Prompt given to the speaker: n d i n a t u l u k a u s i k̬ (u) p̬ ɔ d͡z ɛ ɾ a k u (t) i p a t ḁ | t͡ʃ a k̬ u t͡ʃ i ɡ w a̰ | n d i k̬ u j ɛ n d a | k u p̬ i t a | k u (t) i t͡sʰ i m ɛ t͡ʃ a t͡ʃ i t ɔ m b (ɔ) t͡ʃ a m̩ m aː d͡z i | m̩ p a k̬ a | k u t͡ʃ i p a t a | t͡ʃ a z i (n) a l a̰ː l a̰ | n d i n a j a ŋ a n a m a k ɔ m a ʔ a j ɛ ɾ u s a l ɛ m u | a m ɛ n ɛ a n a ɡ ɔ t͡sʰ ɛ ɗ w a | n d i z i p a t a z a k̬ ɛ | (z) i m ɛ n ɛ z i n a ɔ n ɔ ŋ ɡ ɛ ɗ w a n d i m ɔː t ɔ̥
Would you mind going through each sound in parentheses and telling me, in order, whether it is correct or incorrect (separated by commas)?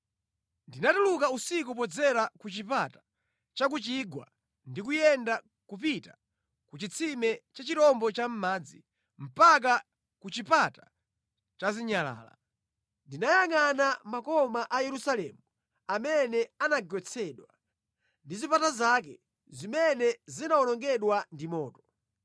correct, incorrect, incorrect, correct, incorrect, correct